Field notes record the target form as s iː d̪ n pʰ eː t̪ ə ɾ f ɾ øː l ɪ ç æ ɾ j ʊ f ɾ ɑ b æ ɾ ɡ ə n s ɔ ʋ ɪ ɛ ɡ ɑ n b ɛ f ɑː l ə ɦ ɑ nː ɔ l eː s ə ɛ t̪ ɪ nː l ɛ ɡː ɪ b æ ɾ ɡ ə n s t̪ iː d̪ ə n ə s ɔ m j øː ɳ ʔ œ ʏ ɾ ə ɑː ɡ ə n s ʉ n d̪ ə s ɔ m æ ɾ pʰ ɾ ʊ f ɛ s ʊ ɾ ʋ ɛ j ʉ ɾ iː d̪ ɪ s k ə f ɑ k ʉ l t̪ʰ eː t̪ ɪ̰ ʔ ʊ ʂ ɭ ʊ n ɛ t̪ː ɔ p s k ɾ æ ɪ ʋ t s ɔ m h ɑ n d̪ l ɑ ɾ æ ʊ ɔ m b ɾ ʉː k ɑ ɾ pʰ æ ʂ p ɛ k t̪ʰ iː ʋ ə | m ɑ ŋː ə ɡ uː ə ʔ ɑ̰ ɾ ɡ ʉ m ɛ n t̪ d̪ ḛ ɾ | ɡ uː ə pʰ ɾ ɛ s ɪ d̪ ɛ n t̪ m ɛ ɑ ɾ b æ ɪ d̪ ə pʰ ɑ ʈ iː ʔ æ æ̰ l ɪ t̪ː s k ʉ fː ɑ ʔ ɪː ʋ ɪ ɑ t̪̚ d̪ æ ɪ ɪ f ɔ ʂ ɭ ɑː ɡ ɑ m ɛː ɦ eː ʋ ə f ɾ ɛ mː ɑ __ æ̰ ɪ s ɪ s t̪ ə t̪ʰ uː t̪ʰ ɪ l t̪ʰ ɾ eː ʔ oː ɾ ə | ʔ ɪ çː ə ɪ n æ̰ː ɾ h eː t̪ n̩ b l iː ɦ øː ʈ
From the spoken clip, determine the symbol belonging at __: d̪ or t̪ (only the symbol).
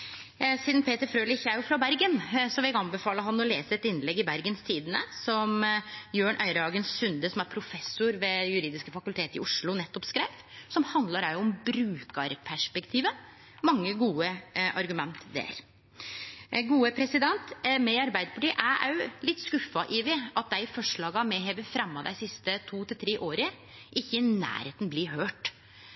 d̪